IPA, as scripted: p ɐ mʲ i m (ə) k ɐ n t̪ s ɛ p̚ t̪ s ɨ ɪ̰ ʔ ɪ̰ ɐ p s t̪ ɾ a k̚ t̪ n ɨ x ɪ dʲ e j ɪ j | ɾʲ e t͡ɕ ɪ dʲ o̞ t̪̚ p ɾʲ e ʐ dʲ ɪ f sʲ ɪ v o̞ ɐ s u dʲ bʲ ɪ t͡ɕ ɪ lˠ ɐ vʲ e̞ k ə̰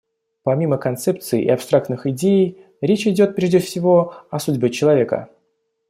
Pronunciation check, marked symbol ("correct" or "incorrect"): correct